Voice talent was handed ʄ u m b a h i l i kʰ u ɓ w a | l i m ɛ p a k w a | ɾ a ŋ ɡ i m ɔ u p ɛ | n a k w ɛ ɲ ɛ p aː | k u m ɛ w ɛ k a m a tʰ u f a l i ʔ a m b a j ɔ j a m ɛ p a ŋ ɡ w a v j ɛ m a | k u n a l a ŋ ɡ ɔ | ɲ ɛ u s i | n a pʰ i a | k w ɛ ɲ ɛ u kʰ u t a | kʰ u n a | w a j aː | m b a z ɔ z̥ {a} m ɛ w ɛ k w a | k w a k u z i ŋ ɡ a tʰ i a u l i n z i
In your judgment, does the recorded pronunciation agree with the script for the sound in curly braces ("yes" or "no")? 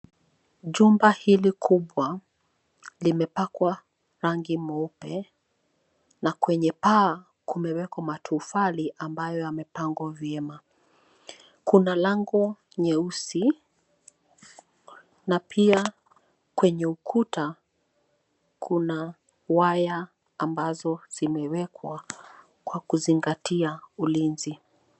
no